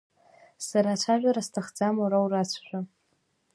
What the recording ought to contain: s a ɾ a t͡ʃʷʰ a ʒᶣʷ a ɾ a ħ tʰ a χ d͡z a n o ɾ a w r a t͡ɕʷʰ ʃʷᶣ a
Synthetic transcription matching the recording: s a ɾ a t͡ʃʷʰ a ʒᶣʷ a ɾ a s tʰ a χ d͡z a m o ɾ a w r a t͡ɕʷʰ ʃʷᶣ a